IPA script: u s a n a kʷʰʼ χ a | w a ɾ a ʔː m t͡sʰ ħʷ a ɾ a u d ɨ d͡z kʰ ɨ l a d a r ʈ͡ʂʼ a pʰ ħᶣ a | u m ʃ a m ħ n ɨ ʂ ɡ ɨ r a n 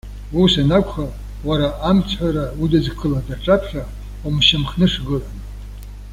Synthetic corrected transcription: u s a n a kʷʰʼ χ a | w a ɾ a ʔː m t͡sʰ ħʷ a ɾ a u d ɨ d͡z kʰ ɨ l a d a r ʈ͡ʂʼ a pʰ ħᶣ a | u m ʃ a m χ n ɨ ʂ ɡ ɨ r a n

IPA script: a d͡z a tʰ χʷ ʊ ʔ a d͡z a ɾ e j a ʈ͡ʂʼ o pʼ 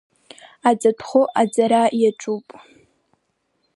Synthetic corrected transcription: a d͡z a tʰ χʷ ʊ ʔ a d͡z a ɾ a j a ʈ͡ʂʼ u pʼ

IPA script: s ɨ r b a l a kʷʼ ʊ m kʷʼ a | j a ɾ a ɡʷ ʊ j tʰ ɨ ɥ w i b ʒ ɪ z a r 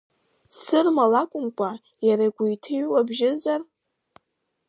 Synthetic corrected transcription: s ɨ r m a l a kʷʼ ʊ m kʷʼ a | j a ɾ a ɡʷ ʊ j tʰ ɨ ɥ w a b ʒ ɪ z a r

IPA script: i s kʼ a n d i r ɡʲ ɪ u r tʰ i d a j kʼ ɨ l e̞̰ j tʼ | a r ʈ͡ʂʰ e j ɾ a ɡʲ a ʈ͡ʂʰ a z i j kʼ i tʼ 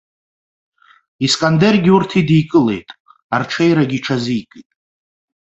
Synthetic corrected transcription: i s kʼ a n d e r ɡʲ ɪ u r tʰ i d i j kʼ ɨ l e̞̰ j tʼ | a r ʈ͡ʂʰ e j ɾ a ɡʲ i ʈ͡ʂʰ a z i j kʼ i tʼ

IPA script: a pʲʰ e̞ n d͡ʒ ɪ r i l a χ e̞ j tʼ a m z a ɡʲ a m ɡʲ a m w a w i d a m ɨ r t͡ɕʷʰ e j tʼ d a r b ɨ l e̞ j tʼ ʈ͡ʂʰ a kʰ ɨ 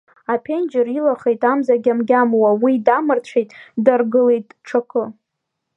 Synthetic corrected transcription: a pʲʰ e̞ n d͡ʒ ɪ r i l a χ e̞ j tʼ a m z a ɡʲ a m ɡʲ a m w a w i d a m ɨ r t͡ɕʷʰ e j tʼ d a r ɡ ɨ l e̞ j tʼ ʈ͡ʂʰ a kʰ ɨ

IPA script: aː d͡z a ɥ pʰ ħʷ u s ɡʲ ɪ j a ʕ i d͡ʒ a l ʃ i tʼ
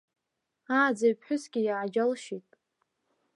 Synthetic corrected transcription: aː d͡z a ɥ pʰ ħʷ ʊ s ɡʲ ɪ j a ʕ a d͡ʒ a l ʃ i tʼ

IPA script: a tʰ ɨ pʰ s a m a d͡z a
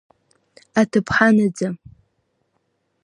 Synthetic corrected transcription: a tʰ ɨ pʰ ħ a n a d͡z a

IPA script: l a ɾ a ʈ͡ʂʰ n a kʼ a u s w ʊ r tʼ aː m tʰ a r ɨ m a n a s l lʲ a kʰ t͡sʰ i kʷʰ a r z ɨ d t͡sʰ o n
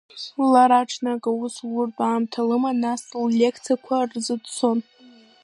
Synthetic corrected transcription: l a ɾ a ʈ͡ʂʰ n a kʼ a u s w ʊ r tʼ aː m tʰ a l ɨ m a n a s l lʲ e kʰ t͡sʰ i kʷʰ a r z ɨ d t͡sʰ o n

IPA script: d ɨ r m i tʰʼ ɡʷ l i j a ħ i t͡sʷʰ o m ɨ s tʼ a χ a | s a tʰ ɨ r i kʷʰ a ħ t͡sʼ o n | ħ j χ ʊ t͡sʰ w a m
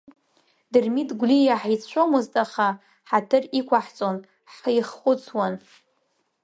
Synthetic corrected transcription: d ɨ r m i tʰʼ ɡʷ l i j a ħ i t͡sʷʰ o m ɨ z tʼ a χ a | ħ a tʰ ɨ r i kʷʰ a ħ t͡sʼ o n | ħ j χ ʊ t͡sʰ w a n

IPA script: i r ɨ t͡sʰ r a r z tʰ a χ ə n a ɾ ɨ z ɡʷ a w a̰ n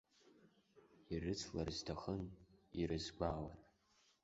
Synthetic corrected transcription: i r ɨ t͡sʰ l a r z tʰ a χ ə n i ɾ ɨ z ɡʷ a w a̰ n

